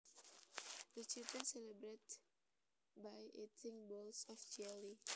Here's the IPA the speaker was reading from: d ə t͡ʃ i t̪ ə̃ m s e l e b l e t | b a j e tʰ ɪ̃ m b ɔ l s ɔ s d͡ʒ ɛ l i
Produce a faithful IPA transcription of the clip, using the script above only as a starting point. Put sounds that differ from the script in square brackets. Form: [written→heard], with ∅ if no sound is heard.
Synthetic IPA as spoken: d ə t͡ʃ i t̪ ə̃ [m→n] s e l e b [l→ɾ] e t | b a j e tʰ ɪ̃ [m→ŋ] b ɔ l s ɔ [s→f] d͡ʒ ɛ l i